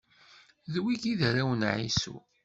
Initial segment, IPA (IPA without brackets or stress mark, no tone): ð